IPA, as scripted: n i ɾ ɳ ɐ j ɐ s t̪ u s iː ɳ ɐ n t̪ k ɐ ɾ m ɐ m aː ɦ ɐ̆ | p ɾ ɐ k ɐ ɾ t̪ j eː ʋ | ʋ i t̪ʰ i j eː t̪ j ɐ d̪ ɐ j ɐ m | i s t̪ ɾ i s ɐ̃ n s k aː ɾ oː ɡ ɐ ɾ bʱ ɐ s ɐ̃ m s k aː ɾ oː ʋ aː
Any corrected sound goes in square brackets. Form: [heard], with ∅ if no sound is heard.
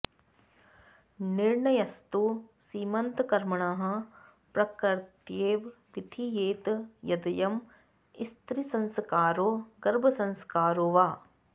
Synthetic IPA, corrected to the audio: n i ɾ ɳ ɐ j ɐ s t̪ u s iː [m] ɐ n t̪ k ɐ ɾ m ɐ [ɳ] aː ɦ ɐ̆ | p ɾ ɐ k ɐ ɾ t̪ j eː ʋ | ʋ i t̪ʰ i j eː t̪ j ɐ d̪ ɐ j ɐ m | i s t̪ ɾ i s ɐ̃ n s k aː ɾ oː ɡ ɐ ɾ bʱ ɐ s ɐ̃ [n] s k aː ɾ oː ʋ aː